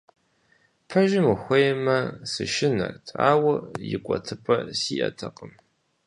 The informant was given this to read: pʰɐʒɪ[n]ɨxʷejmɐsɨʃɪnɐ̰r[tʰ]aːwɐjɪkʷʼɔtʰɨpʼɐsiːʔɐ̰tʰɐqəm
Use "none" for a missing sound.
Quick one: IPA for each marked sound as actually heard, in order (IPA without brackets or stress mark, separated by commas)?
m, tʰ